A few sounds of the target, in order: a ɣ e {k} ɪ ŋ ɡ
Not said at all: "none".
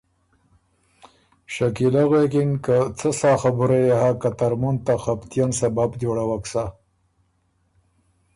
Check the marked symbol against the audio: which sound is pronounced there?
k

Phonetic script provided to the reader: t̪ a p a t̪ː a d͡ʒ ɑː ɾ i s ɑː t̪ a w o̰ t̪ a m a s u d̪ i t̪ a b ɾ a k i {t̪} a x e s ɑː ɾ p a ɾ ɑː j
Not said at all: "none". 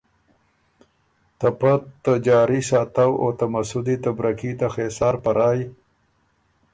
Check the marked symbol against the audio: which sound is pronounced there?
t̪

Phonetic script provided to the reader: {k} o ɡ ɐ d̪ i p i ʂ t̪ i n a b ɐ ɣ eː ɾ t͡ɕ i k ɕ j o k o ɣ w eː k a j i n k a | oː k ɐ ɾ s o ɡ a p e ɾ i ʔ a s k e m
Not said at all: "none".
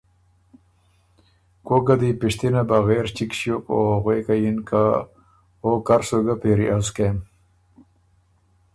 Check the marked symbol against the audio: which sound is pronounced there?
k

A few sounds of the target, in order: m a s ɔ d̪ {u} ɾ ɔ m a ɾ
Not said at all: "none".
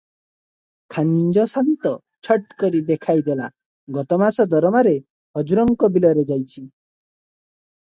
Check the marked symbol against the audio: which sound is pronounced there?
ɔ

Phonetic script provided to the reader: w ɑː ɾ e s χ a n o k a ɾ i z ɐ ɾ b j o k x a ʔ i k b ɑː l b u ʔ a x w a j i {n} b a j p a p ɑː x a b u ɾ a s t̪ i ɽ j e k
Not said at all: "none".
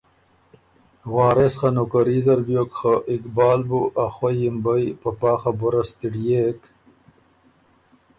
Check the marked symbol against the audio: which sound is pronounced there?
m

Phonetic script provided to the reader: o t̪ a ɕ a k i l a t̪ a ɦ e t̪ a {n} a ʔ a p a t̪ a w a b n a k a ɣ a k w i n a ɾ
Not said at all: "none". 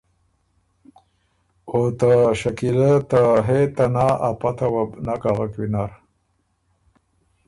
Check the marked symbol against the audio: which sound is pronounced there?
n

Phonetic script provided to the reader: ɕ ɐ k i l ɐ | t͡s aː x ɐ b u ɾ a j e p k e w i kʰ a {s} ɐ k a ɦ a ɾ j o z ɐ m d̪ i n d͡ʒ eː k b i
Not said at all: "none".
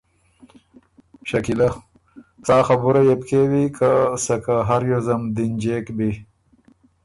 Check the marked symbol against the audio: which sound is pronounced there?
s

